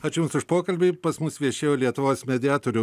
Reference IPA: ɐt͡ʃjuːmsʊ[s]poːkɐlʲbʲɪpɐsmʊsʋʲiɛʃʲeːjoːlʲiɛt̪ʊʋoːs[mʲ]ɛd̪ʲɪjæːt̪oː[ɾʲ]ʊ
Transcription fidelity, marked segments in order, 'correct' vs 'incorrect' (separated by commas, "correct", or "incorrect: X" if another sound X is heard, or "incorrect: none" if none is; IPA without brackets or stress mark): incorrect: ʃ, correct, correct